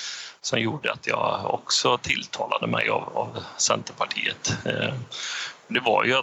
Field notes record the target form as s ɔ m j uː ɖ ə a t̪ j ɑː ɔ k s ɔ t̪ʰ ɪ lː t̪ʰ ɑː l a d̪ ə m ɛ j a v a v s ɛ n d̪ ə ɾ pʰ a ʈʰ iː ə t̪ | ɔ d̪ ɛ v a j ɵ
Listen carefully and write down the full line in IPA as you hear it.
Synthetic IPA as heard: s ɔ m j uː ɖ ə a t̪ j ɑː ɔ k s ɔ t̪ʰ ɪ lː t̪ʰ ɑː l a d̪ ə m ɛ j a v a v s ɛ n t̪ ə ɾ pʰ a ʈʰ iː ə t̪ | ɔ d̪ ɛ v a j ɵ